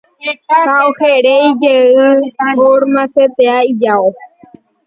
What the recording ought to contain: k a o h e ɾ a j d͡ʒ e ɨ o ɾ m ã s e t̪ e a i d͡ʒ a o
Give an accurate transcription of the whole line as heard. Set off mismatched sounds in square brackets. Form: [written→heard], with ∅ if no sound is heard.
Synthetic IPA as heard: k a o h e ɾ [a→e] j d͡ʒ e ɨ o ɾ m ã s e t̪ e a i d͡ʒ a o

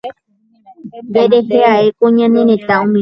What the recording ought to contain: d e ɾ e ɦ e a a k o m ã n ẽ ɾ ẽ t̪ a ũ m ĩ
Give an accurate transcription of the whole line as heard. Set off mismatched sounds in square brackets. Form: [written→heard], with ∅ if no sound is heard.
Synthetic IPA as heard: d e ɾ e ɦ e a [a→e] k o [m→ɲ] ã n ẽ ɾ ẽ t̪ a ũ m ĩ

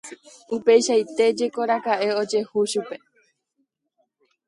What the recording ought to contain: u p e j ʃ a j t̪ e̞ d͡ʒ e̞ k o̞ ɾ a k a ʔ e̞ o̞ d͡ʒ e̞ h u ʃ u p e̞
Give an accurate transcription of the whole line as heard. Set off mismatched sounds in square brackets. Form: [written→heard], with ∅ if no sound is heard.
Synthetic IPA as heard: u p e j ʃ a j t̪ e̞ d͡ʒ e̞ k o̞ ɾ a k a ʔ e̞ o̞ d͡ʒ e̞ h u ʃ u p e̞

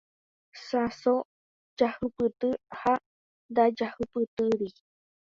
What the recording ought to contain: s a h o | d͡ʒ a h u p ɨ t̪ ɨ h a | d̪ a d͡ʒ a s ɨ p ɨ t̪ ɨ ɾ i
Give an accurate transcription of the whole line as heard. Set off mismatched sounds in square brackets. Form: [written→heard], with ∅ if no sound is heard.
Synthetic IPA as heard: s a [h→s] o | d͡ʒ a h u p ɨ t̪ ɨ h a | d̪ a d͡ʒ a [s→h] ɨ p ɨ t̪ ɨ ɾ i

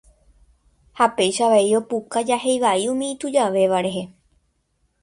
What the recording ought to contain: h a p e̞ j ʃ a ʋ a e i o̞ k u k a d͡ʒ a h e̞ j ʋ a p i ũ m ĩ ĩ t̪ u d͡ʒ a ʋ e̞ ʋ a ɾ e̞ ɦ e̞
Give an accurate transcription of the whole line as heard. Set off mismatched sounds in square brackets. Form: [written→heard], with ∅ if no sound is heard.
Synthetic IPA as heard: h a p e̞ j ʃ a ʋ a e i o̞ [k→p] u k a d͡ʒ a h e̞ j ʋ a [p→∅] i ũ m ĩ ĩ t̪ u d͡ʒ a ʋ e̞ ʋ a ɾ e̞ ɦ e̞

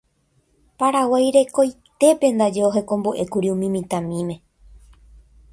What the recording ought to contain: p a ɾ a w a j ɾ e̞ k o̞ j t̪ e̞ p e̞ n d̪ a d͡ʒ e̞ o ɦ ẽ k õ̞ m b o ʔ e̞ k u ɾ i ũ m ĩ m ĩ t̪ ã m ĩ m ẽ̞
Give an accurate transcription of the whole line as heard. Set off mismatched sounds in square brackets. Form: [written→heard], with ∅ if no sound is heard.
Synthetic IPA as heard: p a ɾ a w a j ɾ e̞ k o̞ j t̪ e̞ p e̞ n d̪ a d͡ʒ e̞ o ɦ [ẽ→e] k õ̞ m b o ʔ e̞ k u ɾ i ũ m ĩ m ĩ t̪ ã m ĩ m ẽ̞

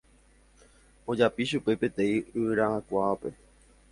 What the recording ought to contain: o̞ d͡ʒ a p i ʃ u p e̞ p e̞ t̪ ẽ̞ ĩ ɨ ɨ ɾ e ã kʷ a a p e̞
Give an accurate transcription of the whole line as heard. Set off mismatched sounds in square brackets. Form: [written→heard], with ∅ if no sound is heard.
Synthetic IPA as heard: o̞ d͡ʒ a p i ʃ u p e̞ p e̞ t̪ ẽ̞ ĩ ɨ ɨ ɾ [e→a] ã kʷ a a p e̞

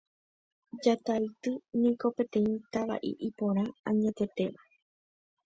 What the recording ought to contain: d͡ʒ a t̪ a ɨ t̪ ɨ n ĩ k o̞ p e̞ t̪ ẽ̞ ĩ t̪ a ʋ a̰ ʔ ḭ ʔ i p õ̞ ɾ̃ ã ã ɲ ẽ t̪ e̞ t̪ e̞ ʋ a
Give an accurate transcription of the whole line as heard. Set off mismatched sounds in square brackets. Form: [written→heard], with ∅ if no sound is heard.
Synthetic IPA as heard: d͡ʒ a t̪ a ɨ t̪ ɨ n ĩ k o̞ p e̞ t̪ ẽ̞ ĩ t̪ a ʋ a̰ ʔ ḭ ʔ i p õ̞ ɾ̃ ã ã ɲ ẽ t̪ e̞ t̪ e̞ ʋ a

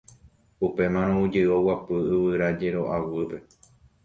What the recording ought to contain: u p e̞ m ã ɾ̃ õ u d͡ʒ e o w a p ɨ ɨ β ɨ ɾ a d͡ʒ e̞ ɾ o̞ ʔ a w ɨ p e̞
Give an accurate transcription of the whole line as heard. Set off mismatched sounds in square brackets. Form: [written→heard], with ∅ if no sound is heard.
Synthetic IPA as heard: u p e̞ m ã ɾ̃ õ u d͡ʒ e o w a p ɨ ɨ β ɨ ɾ a d͡ʒ e̞ ɾ o̞ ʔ a w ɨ p e̞

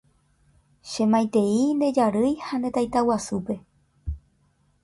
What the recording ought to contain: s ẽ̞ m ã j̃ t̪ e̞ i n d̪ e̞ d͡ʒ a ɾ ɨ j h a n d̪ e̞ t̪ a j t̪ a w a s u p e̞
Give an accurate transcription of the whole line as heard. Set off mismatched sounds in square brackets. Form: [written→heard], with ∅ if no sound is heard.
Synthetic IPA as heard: [s→ʃ] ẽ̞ m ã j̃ t̪ e̞ i n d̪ e̞ d͡ʒ a ɾ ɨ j h a n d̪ e̞ t̪ a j t̪ a w a s u p e̞

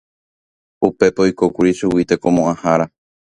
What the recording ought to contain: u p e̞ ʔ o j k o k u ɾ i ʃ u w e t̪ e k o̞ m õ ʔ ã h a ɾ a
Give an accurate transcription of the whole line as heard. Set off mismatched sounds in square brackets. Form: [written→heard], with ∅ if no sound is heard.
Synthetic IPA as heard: u p e̞ [ʔ→p] o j k o k u ɾ i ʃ u w [e→i] t̪ e k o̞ m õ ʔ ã h a ɾ a

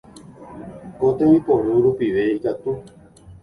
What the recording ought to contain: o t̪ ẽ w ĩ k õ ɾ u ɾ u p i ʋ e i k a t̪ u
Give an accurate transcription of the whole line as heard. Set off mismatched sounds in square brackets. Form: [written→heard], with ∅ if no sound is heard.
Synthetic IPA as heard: o t̪ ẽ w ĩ [k→p] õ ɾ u ɾ u p i ʋ e i k a t̪ u

